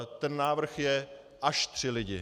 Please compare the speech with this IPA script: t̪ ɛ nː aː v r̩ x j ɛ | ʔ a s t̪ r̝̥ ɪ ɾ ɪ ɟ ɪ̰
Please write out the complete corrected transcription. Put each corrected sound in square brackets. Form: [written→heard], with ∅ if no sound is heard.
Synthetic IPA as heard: t̪ ɛ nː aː v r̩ x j ɛ | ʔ a [s→ʃ] t̪ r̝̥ ɪ [ɾ→l] ɪ ɟ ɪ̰